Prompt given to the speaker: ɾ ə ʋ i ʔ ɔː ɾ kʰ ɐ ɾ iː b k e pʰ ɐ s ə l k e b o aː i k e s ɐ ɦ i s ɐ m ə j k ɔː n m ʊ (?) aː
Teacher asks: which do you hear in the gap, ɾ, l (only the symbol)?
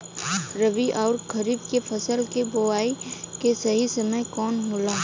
l